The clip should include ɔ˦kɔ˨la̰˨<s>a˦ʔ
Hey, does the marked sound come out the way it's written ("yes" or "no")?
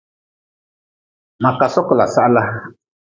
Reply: yes